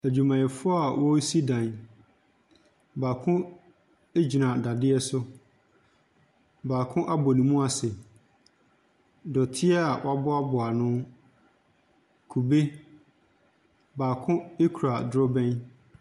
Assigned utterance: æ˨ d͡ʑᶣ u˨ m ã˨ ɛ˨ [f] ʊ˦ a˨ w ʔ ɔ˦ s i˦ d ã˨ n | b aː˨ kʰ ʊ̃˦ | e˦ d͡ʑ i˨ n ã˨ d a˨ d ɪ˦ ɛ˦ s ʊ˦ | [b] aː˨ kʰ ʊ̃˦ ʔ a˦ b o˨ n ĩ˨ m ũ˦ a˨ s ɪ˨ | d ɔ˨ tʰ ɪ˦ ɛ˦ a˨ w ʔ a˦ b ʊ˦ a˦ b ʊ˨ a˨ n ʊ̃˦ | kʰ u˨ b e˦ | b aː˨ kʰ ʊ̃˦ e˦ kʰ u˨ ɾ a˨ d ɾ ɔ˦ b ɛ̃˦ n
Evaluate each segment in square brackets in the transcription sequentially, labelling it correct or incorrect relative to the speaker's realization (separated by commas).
correct, correct